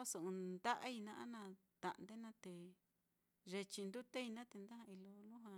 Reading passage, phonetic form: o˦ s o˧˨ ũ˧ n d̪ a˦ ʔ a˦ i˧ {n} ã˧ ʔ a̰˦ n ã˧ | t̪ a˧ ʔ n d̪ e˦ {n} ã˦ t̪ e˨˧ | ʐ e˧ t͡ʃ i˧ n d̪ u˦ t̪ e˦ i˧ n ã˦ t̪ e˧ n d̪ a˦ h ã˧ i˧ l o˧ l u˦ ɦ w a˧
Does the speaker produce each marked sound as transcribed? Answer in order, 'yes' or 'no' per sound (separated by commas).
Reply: yes, yes